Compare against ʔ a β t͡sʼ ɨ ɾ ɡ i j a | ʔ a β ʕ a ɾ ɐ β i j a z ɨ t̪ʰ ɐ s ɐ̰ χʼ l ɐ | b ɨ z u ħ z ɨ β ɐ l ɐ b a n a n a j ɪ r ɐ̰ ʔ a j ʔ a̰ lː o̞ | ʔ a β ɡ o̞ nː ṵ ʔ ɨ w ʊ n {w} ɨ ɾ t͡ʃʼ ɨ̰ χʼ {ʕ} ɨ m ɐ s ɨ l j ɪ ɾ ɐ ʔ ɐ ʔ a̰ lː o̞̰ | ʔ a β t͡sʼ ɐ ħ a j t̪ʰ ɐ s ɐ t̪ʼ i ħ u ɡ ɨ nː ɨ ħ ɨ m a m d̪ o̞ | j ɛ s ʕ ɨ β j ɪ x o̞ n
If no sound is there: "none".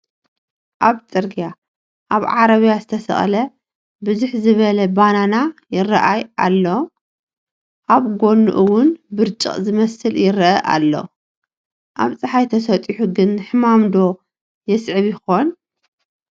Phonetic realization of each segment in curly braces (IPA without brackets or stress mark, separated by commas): b, z